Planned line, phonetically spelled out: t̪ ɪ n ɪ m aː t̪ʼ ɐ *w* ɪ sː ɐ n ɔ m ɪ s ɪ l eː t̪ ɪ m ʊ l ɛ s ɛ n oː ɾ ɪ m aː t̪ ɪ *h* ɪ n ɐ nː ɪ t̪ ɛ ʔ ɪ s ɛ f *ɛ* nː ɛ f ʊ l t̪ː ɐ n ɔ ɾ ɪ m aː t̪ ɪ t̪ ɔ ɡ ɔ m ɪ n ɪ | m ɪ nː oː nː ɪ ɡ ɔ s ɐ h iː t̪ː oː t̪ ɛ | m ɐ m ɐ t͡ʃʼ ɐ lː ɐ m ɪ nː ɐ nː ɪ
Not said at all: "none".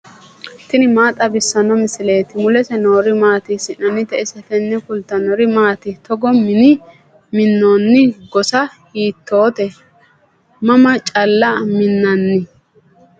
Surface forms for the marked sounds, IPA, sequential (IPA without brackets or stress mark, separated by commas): b, s, ɛ